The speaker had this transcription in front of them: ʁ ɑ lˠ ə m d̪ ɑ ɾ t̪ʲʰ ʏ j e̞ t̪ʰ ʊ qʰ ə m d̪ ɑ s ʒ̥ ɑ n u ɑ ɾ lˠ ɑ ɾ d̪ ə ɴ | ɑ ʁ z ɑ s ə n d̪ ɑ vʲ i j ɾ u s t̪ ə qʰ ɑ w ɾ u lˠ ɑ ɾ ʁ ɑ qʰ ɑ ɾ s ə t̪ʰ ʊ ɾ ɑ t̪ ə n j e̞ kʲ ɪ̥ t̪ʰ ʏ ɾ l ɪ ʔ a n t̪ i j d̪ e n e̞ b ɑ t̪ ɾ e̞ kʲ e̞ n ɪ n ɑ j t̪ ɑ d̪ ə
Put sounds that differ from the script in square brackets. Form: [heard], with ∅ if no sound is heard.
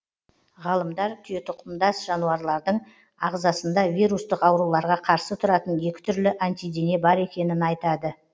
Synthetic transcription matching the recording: ʁ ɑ lˠ ə m d̪ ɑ ɾ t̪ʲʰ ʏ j e̞ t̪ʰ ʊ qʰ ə m d̪ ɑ s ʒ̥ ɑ n u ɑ ɾ lˠ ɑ ɾ d̪ ə ɴ | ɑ ʁ z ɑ s ə n d̪ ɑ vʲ i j ɾ u s t̪ ə [q] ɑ w ɾ u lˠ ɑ ɾ ʁ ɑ qʰ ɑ ɾ s ə t̪ʰ ʊ ɾ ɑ t̪ ə n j e̞ kʲ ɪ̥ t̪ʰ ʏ ɾ l ɪ ʔ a n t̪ i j d̪ e n e̞ b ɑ [∅] ɾ e̞ kʲ e̞ n ɪ n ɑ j t̪ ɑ d̪ ə